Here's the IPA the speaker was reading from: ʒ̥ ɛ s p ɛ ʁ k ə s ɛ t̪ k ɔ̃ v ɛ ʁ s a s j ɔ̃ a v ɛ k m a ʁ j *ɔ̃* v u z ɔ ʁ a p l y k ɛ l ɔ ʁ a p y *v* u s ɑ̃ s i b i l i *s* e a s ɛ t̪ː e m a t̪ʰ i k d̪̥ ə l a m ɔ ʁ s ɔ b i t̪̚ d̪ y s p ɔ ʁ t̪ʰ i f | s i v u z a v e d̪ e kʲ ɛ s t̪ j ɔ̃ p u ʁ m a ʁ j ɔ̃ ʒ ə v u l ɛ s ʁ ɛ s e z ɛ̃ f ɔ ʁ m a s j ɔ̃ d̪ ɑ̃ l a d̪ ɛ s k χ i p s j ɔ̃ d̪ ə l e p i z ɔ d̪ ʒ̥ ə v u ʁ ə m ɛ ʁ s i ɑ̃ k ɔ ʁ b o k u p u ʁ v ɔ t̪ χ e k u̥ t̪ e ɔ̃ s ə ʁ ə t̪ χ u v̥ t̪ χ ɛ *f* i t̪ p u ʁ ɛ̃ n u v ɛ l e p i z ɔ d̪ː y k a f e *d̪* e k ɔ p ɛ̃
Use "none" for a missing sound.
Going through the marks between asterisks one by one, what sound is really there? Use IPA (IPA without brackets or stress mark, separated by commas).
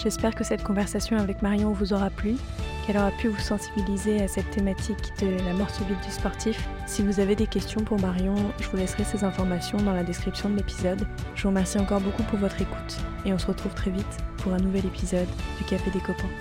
ɔ̃, v, z, v, d̪